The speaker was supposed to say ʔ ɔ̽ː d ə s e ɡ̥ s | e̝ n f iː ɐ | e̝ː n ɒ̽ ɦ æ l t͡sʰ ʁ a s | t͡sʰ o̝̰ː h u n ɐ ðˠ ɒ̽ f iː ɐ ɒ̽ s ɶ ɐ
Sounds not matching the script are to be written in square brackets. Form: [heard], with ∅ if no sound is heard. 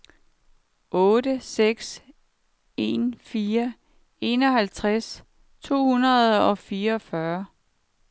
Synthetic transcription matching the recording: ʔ ɔ̽ː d ə s e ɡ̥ s | e̝ n f iː ɐ | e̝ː n ɒ̽ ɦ æ l t͡sʰ ʁ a s | t͡sʰ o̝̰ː h u n ɐ ðˠ ɒ̽ f iː ɐ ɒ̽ [f] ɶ ɐ